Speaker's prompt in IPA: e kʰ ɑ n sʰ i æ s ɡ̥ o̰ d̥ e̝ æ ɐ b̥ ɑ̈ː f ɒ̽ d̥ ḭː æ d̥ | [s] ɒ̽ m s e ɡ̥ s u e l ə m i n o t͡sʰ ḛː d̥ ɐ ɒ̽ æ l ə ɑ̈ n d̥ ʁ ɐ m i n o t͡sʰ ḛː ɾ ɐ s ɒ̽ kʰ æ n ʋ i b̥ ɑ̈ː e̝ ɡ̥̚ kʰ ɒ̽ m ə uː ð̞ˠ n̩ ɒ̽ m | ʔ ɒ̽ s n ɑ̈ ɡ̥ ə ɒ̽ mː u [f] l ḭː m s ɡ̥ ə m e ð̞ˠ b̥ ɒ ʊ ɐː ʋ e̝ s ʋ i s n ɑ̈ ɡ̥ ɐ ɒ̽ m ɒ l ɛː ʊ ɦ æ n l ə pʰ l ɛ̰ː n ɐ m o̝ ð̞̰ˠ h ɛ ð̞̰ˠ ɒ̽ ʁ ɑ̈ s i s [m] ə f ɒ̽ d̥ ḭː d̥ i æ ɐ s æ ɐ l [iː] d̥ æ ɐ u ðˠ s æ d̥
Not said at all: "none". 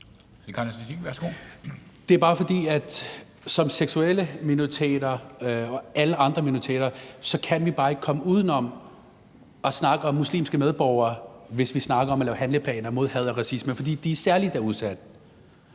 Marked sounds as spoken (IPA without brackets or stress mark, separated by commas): s, s, m, i